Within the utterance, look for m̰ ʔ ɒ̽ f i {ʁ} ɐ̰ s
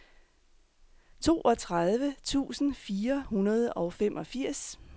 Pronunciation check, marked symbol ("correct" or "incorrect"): incorrect